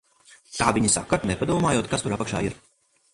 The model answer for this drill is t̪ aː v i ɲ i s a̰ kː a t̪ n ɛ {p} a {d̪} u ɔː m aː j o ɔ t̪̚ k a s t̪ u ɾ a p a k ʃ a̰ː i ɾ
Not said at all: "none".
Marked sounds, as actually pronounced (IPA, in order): p, d̪

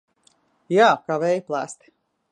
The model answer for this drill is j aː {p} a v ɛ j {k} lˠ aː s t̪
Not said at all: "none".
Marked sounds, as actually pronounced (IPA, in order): k, p

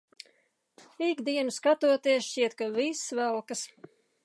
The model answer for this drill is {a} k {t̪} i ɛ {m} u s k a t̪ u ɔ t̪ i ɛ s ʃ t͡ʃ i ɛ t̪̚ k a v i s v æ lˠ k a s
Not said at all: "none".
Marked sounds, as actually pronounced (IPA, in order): i, d̪, n

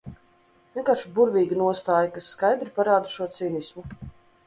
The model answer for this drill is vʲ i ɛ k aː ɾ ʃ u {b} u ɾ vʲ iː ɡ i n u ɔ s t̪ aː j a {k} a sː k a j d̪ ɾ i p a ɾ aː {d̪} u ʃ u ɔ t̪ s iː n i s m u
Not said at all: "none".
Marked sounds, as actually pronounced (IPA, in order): b, k, d̪

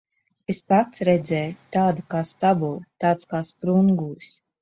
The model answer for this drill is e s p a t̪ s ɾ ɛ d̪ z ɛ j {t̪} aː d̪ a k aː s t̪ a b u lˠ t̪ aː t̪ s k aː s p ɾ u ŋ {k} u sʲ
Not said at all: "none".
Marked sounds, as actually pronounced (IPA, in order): t̪, ɡ

